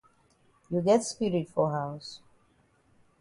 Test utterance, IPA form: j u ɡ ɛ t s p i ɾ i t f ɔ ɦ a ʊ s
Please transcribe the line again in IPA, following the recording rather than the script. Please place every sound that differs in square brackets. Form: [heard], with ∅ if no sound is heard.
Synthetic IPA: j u ɡ ɛ t s p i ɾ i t f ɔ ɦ a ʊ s